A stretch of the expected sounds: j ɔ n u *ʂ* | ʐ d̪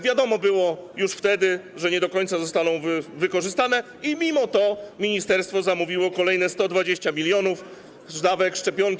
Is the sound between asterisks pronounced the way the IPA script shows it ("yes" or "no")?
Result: no